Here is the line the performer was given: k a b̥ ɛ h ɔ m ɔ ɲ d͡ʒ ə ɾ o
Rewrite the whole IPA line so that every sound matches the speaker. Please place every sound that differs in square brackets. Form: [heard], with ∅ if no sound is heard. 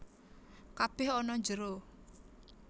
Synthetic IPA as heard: k a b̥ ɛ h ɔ [n] ɔ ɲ d͡ʒ ə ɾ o